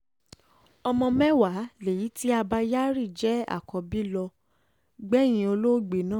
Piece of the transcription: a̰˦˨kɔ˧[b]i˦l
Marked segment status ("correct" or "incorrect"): correct